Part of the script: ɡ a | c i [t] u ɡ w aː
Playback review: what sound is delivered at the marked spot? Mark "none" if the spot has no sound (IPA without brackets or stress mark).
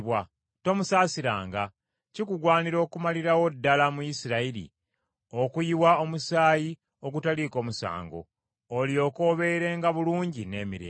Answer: k